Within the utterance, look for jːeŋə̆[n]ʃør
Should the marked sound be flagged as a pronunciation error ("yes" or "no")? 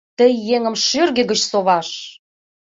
yes